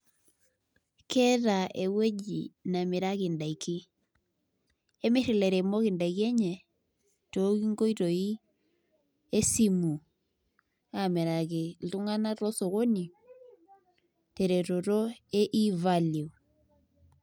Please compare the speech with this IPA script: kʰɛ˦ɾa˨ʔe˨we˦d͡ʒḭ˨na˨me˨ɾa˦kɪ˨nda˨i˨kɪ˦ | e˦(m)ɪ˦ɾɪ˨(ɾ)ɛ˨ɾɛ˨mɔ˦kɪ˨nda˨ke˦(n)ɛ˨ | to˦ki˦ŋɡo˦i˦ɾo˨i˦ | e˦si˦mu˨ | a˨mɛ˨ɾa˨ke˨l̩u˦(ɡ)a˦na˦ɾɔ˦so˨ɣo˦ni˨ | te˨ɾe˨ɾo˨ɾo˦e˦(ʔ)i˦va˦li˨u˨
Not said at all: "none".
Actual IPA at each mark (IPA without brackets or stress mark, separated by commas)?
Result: m, l, ɲ, ŋ, ʔ